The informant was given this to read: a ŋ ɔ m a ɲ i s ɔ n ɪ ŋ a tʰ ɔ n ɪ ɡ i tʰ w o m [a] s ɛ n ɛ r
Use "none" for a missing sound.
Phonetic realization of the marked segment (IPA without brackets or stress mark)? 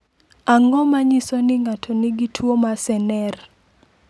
a